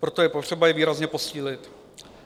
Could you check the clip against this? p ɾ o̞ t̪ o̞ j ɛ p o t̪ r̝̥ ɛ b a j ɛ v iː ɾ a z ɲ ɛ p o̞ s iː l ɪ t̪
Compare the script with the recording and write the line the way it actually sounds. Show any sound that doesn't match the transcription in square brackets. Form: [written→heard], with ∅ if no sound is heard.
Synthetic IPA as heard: p ɾ o̞ t̪ o̞ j ɛ p o t̪ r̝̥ ɛ b a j ɛ v iː ɾ a z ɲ ɛ p o̞ s iː l ɪ t̪